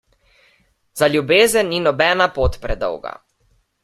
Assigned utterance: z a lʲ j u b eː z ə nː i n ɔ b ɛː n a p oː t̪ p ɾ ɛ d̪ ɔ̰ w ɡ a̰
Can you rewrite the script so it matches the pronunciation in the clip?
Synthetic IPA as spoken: z a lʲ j u b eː z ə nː i n ɔ b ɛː n a p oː t̪ p ɾ ɛ d̪ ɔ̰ w ɡ a̰